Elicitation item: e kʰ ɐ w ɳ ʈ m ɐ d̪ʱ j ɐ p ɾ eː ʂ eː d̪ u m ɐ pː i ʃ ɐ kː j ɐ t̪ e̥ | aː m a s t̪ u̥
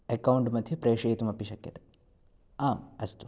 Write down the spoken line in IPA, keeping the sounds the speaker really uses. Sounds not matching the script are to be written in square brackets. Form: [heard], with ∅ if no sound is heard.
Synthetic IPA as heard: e [k] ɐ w ɳ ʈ m ɐ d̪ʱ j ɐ p ɾ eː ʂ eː [t̪] u m ɐ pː i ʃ ɐ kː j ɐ t̪ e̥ | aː m [ɐ] s t̪ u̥